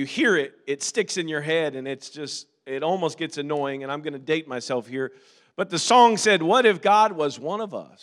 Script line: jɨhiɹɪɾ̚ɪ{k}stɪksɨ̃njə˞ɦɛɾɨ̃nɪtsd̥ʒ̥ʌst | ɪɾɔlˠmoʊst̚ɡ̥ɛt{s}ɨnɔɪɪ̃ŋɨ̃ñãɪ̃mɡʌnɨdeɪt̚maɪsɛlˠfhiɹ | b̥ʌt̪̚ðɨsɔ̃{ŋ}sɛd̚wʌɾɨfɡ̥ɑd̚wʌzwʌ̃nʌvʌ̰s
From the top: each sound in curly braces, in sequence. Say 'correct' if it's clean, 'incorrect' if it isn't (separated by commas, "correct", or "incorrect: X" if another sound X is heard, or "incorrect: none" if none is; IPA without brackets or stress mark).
incorrect: t, correct, correct